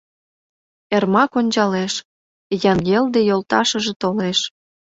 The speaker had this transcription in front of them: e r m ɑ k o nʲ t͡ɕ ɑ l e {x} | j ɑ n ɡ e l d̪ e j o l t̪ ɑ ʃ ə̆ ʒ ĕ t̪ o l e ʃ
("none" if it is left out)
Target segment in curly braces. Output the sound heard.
ʃ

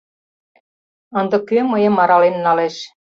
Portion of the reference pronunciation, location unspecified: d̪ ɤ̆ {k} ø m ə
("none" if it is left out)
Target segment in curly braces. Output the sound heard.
k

